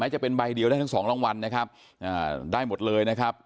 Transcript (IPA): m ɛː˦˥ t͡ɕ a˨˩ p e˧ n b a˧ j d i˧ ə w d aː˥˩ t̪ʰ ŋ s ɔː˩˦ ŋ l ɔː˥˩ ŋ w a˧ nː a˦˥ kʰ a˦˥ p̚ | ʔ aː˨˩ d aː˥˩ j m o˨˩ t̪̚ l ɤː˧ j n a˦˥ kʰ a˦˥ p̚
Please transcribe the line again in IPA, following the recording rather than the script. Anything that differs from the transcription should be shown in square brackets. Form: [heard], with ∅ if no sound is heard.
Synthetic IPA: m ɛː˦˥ t͡ɕ a˨˩ p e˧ n b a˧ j d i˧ ə w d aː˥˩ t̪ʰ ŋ s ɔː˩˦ ŋ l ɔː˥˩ ŋ w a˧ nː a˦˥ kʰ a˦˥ p̚ | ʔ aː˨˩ d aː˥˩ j m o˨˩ t̪̚ l ɤː˧ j n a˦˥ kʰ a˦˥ p̚